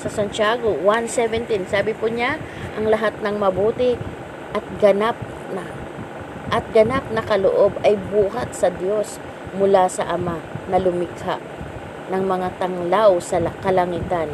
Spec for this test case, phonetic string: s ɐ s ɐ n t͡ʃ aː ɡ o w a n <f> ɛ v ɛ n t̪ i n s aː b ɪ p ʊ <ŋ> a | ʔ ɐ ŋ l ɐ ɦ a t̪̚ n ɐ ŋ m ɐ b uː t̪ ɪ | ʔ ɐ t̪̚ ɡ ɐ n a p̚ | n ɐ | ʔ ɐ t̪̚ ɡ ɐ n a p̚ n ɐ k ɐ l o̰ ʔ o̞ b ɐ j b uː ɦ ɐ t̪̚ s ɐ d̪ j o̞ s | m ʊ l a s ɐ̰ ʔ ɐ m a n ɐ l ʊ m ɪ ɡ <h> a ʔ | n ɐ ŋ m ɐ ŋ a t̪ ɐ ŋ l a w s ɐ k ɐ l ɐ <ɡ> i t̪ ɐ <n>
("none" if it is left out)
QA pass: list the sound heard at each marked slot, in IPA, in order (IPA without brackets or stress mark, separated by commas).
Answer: s, ɲ, h, ŋ, n